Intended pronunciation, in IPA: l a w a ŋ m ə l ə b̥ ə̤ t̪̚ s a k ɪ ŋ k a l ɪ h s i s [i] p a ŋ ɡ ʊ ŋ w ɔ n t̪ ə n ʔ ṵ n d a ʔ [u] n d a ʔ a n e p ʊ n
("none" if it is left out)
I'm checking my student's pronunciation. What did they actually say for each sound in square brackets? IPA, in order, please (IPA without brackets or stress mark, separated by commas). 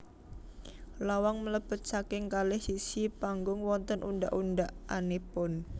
i, u